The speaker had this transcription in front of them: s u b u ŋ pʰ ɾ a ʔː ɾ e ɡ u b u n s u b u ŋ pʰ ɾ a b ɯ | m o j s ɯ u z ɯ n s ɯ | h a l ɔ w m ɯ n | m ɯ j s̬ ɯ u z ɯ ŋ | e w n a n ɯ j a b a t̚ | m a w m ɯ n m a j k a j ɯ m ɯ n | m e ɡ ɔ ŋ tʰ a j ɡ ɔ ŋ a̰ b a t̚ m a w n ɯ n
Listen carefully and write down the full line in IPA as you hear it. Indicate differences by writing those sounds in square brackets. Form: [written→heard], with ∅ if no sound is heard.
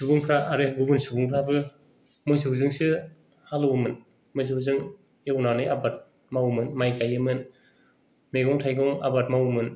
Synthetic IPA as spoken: s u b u ŋ pʰ ɾ a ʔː ɾ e ɡ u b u n s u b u ŋ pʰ ɾ a b ɯ | m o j s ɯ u z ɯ [n→ŋ] s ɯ | h a l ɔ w m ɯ n | m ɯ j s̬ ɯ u z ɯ ŋ | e w n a n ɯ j a b a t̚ | m a w m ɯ n m a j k a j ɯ m ɯ n | m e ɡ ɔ ŋ tʰ a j ɡ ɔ ŋ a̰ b a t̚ m a w [n→m] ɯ n